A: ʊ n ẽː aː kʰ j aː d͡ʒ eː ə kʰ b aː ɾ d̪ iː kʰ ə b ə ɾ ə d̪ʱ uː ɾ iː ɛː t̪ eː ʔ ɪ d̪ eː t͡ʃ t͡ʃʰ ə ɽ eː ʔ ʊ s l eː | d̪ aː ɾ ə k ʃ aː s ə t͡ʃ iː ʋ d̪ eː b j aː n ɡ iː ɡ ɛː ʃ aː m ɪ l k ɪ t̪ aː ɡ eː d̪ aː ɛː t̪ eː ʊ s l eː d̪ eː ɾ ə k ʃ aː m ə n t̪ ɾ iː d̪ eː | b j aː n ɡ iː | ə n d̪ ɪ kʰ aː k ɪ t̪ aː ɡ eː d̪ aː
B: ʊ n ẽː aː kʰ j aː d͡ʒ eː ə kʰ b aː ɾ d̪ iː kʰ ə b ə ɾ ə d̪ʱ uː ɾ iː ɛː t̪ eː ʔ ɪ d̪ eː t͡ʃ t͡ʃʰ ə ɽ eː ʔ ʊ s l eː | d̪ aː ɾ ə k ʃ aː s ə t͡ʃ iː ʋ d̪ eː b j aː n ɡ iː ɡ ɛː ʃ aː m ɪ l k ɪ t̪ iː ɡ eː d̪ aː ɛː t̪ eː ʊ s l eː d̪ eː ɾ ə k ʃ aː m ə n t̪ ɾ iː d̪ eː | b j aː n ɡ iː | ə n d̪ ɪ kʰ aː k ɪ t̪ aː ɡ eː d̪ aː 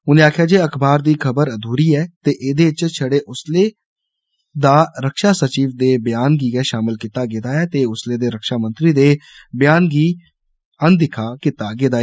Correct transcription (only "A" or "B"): A